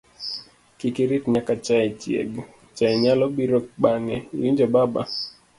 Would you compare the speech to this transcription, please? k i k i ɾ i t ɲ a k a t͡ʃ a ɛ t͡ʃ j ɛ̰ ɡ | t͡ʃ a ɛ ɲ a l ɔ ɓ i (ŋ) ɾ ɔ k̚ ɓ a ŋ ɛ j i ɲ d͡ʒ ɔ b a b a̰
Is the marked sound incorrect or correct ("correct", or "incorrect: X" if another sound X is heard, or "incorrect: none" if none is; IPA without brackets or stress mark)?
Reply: incorrect: none